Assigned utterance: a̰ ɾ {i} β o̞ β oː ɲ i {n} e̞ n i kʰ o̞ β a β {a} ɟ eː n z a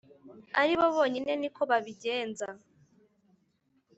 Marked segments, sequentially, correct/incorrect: correct, correct, incorrect: i

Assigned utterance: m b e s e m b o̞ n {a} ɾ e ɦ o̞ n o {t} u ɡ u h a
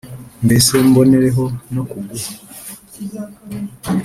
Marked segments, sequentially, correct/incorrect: incorrect: e, incorrect: k

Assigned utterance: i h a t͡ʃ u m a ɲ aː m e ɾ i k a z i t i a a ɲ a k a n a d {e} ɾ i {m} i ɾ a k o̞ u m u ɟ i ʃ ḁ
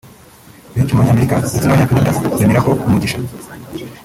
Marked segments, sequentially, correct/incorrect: incorrect: a, correct

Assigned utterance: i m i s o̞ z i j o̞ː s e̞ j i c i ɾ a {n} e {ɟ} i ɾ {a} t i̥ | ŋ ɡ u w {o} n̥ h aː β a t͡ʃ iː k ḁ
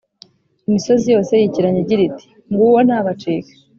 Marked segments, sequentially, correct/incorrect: incorrect: ɲ, correct, incorrect: i, correct

